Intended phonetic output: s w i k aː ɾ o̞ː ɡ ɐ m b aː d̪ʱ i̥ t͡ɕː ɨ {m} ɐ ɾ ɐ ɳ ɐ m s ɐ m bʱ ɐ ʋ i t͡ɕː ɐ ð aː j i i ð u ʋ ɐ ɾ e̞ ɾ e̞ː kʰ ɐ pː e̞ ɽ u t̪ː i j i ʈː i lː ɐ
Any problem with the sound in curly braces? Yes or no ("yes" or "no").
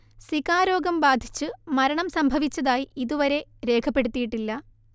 no